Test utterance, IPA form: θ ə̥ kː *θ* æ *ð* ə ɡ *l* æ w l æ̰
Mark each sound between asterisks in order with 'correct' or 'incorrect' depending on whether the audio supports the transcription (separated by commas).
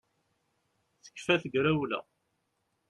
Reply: incorrect, incorrect, incorrect